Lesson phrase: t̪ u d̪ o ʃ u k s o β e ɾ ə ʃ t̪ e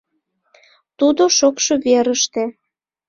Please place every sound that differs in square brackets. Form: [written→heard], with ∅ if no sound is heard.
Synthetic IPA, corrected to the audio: t̪ u d̪ o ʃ [u→o] k [s→ʃ] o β e ɾ ə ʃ t̪ e